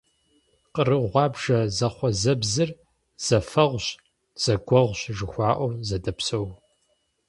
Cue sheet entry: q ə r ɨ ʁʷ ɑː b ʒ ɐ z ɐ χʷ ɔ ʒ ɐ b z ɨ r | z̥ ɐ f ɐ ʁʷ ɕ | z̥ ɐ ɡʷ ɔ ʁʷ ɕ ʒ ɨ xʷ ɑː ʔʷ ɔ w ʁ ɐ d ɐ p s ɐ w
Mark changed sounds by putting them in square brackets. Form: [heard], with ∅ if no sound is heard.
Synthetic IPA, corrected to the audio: q ə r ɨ ʁʷ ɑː b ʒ ɐ z ɐ χʷ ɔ [z] ɐ b z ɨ r | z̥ ɐ f ɐ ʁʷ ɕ | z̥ ɐ ɡʷ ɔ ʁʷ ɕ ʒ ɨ xʷ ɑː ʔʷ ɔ w [z] ɐ d ɐ p s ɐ w

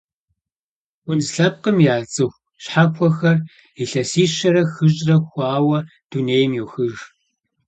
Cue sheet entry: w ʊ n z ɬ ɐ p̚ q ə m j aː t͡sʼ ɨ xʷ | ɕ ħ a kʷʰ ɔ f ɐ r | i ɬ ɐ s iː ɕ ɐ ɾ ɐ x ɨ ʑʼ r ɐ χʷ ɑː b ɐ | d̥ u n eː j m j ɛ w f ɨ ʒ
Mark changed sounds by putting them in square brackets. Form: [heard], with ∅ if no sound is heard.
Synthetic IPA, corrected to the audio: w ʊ n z ɬ ɐ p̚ q ə m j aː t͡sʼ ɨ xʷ | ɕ ħ a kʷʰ ɔ [x] ɐ r | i ɬ ɐ s iː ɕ ɐ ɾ ɐ x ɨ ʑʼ r ɐ [xʷ] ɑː [w] ɐ | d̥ u n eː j m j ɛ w [x] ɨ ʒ

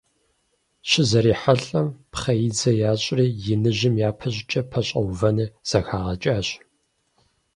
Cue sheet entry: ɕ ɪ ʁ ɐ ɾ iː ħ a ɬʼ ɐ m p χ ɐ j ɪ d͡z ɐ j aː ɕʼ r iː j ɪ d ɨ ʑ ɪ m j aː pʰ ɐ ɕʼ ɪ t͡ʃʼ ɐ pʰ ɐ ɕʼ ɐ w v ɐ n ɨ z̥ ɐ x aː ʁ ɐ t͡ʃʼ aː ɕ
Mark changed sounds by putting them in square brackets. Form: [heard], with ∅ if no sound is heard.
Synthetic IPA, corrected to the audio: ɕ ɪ [z] ɐ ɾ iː ħ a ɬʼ ɐ m p χ ɐ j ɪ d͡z ɐ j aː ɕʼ r iː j ɪ [n] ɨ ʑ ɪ m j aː pʰ ɐ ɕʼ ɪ t͡ʃʼ ɐ pʰ ɐ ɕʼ ɐ w v ɐ n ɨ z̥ ɐ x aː ʁ ɐ t͡ʃʼ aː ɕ

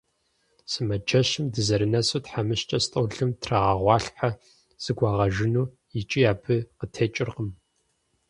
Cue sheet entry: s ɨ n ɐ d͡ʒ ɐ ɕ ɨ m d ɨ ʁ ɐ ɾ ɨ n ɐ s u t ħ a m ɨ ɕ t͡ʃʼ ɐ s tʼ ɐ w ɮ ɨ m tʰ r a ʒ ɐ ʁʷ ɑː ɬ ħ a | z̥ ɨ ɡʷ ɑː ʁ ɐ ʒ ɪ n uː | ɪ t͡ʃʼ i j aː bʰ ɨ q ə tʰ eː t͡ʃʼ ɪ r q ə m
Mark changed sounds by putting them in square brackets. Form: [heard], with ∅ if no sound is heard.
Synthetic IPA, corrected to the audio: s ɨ [m] ɐ d͡ʒ ɐ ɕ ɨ m d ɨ [z] ɐ ɾ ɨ n ɐ s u t ħ a m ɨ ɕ t͡ʃʼ ɐ s tʼ ɐ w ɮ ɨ m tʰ r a [ʁ] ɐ ʁʷ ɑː ɬ ħ a | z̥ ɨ ɡʷ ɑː ʁ ɐ ʒ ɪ n uː | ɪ t͡ʃʼ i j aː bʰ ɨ q ə tʰ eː t͡ʃʼ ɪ r q ə m

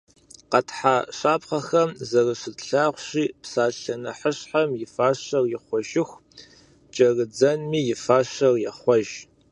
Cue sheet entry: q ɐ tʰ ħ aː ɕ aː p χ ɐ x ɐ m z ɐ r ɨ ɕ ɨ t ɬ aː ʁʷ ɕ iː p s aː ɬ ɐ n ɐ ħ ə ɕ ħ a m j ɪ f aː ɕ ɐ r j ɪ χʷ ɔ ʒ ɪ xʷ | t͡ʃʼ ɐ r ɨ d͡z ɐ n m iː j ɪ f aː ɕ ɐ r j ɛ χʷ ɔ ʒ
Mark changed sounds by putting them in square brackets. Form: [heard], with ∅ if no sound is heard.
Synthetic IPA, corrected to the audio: q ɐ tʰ ħ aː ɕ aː p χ ɐ x ɐ m z ɐ r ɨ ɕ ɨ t ɬ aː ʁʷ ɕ iː p s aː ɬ ɐ n ɐ ħ ə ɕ ħ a m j ɪ f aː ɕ ɐ r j ɪ χʷ ɔ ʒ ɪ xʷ | t͡ʃʼ ɐ r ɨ d͡z ɐ n m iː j ɪ f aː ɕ ɐ r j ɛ χʷ ɔ ʒ

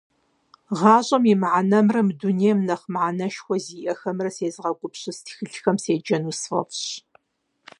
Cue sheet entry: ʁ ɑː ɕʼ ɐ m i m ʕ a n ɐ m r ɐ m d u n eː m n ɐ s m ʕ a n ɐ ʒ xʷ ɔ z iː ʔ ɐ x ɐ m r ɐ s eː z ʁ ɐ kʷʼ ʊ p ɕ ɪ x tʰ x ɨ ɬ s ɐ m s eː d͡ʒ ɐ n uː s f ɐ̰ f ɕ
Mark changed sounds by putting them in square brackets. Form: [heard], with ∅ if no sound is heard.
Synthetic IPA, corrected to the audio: ʁ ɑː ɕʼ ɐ m i m ʕ a n ɐ m r ɐ m d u n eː m n ɐ [χ] m ʕ a n ɐ [ʃ] xʷ ɔ z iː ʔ ɐ x ɐ m r ɐ s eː z ʁ ɐ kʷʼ ʊ p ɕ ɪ [s] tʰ x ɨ ɬ [x] ɐ m s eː d͡ʒ ɐ n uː s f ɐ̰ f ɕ

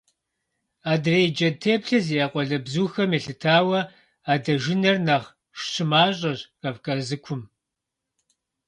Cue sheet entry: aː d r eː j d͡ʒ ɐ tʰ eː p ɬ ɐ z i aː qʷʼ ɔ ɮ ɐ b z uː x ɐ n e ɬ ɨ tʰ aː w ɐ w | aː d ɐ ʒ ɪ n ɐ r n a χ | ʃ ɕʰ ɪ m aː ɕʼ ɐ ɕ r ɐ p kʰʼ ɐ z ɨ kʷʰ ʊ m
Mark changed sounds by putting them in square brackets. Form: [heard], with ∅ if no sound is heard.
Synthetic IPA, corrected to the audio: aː d r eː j d͡ʒ ɐ tʰ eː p ɬ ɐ z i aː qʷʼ ɔ ɮ ɐ b z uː x ɐ [m] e ɬ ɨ tʰ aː w ɐ [∅] | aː d ɐ ʒ ɪ n ɐ r n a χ | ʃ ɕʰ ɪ m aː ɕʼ ɐ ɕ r ɐ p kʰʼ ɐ z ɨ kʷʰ ʊ m

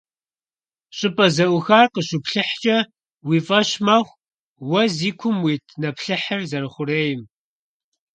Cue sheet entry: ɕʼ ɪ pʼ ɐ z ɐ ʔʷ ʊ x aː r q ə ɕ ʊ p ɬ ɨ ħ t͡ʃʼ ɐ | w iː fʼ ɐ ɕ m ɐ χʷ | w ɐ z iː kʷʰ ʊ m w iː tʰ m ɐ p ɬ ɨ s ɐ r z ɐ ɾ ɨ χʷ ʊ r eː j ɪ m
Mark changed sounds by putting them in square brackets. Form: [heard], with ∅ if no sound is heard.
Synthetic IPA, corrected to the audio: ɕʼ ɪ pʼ ɐ z ɐ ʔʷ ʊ x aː r q ə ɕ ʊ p ɬ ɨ ħ t͡ʃʼ ɐ | w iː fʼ ɐ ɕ m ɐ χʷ | w ɐ z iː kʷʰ ʊ m w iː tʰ [n] ɐ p ɬ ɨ [ħ] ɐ r z ɐ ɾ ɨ χʷ ʊ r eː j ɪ m

